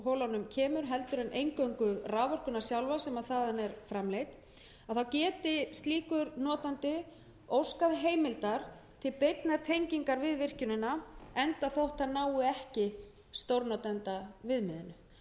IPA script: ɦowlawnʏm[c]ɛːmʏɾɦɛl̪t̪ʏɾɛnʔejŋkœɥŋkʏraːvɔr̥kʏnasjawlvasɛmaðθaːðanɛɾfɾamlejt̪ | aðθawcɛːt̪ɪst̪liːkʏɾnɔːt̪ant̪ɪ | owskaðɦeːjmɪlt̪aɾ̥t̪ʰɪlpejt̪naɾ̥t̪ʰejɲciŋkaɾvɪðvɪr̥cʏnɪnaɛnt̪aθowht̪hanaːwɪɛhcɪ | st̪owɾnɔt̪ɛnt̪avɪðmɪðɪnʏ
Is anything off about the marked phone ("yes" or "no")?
yes